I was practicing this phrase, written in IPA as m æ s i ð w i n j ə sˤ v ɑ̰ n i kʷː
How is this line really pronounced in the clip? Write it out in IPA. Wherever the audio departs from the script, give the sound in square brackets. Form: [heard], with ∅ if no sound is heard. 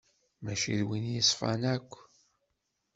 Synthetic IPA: m æ [ʃ] i ð w i n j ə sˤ [f] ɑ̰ n [æ] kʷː